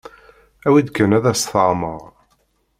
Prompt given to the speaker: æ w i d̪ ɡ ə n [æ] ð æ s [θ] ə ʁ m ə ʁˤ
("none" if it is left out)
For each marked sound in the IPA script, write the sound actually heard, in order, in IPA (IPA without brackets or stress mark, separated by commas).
æ, θ